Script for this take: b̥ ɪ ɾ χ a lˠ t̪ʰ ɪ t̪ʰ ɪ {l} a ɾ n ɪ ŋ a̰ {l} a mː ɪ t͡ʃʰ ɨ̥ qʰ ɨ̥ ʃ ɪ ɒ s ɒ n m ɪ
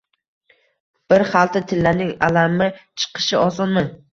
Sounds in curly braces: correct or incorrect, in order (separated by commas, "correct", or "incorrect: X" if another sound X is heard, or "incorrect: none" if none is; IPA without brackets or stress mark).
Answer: incorrect: lː, correct